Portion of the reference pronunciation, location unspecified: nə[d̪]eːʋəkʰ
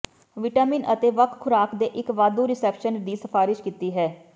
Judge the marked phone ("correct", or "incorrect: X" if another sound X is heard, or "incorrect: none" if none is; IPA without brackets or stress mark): incorrect: t̪